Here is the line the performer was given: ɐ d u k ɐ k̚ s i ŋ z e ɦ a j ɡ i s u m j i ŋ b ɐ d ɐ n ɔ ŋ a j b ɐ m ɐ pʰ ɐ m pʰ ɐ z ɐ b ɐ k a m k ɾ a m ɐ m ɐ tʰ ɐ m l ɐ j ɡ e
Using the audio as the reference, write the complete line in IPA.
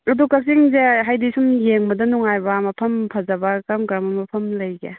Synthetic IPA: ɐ d u k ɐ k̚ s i ŋ z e ɦ a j d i s u m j e ŋ b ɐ d ɐ n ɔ ŋ a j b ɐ m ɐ pʰ ɐ m pʰ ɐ z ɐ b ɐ k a m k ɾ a m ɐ m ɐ pʰ ɐ m l ɐ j ɡ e